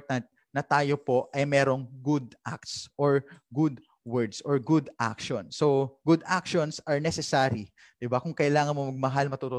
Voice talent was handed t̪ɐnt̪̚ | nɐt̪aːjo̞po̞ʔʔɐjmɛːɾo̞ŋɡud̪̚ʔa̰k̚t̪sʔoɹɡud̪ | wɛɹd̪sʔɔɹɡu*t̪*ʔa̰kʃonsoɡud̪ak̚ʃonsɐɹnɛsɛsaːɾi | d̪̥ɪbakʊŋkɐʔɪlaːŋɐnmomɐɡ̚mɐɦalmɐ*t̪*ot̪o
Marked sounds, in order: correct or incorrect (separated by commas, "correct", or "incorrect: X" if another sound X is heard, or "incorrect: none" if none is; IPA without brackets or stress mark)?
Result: incorrect: d̪, correct